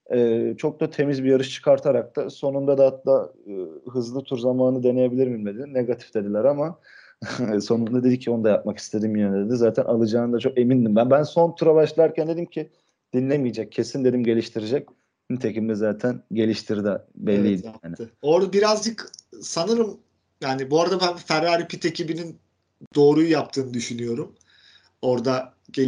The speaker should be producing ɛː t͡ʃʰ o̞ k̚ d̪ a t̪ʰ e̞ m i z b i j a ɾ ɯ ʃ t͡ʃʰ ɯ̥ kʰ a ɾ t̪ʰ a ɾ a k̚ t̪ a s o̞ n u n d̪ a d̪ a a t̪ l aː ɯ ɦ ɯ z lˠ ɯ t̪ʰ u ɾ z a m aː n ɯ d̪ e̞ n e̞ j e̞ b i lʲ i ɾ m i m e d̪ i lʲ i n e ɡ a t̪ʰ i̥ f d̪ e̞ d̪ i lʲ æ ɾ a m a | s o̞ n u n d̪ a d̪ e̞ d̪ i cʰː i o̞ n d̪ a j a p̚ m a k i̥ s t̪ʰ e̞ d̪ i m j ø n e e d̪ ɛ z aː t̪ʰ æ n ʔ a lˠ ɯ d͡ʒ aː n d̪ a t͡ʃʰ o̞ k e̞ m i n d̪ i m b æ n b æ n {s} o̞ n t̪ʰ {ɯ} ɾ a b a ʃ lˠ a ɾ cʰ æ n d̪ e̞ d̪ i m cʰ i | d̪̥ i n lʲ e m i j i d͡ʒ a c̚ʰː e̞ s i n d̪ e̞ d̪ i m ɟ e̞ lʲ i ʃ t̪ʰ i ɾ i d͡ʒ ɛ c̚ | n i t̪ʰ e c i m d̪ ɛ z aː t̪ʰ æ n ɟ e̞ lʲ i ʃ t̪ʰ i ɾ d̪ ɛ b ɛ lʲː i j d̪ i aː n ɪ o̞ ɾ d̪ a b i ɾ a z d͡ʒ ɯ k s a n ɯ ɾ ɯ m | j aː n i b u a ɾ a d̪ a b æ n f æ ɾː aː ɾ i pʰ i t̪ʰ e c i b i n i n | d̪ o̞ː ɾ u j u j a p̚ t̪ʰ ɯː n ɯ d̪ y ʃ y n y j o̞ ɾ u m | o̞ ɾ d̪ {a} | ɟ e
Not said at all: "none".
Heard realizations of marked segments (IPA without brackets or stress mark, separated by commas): s, u, a